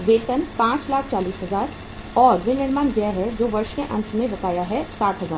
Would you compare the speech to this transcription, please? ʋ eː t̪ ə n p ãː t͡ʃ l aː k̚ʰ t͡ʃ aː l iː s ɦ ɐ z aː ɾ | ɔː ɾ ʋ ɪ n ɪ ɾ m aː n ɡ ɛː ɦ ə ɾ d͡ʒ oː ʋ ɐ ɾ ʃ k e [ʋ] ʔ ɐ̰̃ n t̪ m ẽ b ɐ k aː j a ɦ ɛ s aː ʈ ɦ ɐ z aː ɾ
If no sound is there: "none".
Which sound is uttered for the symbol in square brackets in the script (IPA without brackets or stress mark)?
none